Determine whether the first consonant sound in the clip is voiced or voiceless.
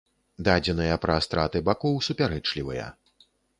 voiced